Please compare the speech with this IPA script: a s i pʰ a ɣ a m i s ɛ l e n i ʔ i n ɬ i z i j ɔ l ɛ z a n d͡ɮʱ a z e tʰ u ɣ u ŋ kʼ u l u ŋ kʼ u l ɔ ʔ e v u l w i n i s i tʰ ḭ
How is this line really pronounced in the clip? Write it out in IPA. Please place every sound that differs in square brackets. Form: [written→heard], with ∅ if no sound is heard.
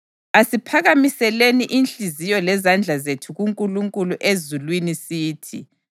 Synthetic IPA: a s i pʰ a ɣ a m i s ɛ l e n i ʔ i n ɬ i z i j ɔ l ɛ z a n d͡ɮʱ a z e tʰ u ɣ u ŋ kʼ u l u ŋ kʼ u l [ɔ→u] ʔ e [v→z] u l w i n i s [i→iː] tʰ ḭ